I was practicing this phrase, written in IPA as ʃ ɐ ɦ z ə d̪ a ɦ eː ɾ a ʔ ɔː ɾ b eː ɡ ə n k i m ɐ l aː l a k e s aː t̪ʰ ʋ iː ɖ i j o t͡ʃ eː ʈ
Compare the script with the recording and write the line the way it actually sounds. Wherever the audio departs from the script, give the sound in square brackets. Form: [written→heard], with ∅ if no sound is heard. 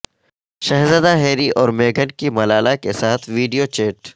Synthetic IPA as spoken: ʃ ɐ ɦ z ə d̪ a ɦ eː ɾ [a→i] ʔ ɔː ɾ [b→m] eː ɡ ə n k i m ɐ l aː l a k e s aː t̪ʰ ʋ iː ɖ i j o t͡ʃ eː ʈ